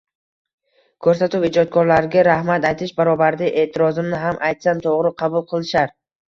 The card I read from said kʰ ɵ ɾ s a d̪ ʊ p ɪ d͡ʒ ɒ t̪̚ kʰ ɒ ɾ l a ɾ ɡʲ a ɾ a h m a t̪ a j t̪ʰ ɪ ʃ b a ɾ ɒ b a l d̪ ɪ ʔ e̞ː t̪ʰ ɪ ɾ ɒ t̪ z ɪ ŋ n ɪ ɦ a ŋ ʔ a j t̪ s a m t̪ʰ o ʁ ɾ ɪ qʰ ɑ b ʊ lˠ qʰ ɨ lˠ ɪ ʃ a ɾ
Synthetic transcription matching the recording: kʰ ɵ ɾ s a t̪ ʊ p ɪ d͡ʒ ɒ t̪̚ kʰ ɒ ɾ l a ɾ ɡʲ a ɾ a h m a t̪ a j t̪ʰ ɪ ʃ b a ɾ ɒ b a ɾ d̪ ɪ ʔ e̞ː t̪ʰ ɪ ɾ ɒ z ɪ m n ɪ ɦ a m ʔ a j t̪ s a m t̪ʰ o ʁ ɾ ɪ qʰ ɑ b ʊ lˠ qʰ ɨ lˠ ɪ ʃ a ɾ